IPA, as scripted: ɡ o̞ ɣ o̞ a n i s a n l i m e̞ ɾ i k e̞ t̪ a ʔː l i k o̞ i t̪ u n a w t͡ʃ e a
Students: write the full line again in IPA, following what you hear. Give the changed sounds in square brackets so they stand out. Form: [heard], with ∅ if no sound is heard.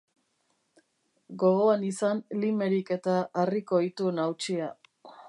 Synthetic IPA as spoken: ɡ o̞ ɣ o̞ a n i s a n l i m e̞ ɾ i k e̞ t̪ a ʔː [r] i k o̞ i t̪ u n a w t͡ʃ [i] a

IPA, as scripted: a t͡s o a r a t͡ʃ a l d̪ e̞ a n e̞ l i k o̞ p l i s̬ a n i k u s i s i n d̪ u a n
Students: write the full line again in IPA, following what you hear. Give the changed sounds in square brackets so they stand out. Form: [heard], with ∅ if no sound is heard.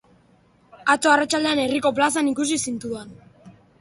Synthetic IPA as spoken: a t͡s o a r a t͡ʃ a l d̪ e̞ a n e̞ [r] i k o̞ p l [a] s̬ a n i k u s i s i n [t̪] u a n

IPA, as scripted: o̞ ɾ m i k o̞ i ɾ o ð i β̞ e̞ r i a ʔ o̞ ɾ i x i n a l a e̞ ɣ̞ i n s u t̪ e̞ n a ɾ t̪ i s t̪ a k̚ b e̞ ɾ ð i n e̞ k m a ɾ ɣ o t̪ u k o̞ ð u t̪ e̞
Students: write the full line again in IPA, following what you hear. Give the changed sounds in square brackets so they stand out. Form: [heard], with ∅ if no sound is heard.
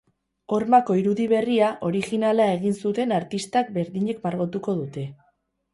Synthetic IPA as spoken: o̞ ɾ m [a] k o̞ i ɾ [u] ð i β̞ e̞ r i a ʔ o̞ ɾ i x i n a l a e̞ ɣ̞ i n s u t̪ e̞ n a ɾ t̪ i s t̪ a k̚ b e̞ ɾ ð i [ɲ] e̞ k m a ɾ ɣ o t̪ u k o̞ ð u t̪ e̞

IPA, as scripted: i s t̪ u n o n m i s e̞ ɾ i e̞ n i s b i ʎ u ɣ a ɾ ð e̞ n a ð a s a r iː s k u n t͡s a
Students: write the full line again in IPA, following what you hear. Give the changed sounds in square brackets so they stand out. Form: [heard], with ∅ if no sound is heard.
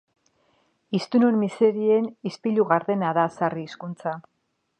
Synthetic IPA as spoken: i s t̪ u n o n m i s e̞ ɾ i e̞ n i s [p] i ʎ u ɣ a ɾ ð e̞ n a ð a s a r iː s k u n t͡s a

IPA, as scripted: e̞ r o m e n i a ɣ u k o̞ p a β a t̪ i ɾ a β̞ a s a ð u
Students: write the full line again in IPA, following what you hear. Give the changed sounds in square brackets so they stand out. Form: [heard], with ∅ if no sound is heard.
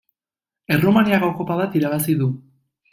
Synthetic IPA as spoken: e̞ r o m [a] n i a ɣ [o] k o̞ p a β a t̪ i ɾ a β̞ a s [i] ð u

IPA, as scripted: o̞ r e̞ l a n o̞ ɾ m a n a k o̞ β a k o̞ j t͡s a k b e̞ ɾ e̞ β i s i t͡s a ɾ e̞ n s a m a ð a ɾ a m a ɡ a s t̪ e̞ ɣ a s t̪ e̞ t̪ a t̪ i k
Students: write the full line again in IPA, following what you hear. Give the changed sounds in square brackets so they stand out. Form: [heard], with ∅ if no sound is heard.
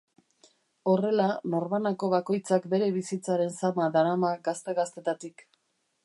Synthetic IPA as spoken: o̞ r e̞ l a n o̞ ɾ m a n a k o̞ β a k o̞ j t͡s a k b e̞ ɾ e̞ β i s i t͡s a ɾ e̞ n s a m a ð a ɾ a m a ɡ a s t̪ e̞ ɣ a s t̪ e̞ t̪ a t̪ i k

